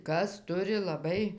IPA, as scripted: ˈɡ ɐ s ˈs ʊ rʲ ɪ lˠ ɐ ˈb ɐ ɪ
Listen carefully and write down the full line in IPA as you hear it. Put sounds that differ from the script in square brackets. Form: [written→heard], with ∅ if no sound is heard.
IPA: [ˈɡ→ˈk] ɐ s [ˈs→ˈt] ʊ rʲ ɪ lˠ ɐ ˈb ɐ ɪ